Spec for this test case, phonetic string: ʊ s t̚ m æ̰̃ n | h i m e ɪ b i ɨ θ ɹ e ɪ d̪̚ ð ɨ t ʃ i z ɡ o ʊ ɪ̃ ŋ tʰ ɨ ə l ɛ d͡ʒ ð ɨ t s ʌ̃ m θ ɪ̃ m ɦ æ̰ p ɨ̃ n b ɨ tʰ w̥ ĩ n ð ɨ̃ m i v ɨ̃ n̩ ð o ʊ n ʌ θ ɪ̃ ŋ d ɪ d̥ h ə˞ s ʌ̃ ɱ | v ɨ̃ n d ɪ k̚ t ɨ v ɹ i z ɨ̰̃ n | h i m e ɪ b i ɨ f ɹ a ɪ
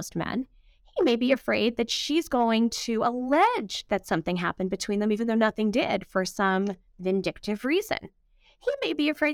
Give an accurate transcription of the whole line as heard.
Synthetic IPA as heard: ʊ s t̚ m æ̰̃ n | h i m e ɪ b i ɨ f ɹ e ɪ d̪̚ ð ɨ t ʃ i z ɡ o ʊ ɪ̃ ŋ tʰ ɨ ə l ɛ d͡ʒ ð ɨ t s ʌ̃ m θ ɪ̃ ŋ ɦ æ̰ p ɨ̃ n b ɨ tʰ w̥ ĩ n ð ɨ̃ m i v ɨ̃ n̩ ð o ʊ n ʌ θ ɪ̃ ŋ d ɪ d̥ f ə˞ s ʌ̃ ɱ | v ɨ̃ n d ɪ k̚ t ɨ v ɹ i z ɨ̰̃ n | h i m e ɪ b i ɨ f ɹ e ɪ